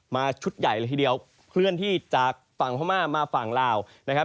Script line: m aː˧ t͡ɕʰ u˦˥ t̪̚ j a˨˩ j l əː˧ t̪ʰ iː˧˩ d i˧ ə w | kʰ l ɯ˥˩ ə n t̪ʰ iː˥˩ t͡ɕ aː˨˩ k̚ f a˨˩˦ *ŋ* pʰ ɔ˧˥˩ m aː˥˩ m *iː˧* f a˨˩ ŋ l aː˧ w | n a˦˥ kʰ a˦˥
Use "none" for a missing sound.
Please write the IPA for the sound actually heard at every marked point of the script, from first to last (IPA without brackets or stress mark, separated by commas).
ŋ, aː˧